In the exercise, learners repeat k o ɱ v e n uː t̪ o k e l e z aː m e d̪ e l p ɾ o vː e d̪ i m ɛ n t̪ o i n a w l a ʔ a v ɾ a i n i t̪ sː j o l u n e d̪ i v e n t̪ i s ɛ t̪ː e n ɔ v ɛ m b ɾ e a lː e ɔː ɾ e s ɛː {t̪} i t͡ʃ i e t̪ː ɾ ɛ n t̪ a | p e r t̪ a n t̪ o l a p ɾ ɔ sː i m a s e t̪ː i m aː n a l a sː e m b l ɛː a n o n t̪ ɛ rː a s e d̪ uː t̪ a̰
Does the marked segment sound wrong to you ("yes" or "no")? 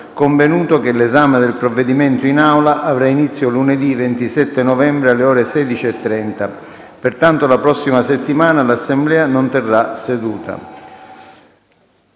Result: yes